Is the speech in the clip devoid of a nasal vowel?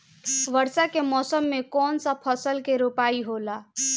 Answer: yes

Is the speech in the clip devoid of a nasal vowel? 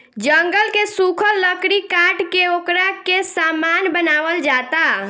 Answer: yes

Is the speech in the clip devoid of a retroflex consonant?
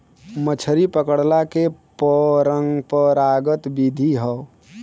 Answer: no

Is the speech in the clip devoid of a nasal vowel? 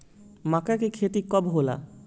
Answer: yes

